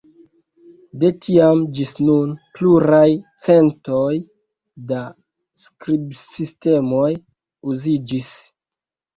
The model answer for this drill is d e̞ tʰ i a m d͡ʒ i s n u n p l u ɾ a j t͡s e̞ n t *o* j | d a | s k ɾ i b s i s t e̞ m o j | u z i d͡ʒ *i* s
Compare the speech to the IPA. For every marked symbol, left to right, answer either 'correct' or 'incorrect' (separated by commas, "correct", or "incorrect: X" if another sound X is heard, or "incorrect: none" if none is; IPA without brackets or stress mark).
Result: correct, correct